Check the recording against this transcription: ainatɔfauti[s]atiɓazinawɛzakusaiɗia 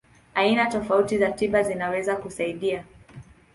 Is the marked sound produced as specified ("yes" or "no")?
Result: no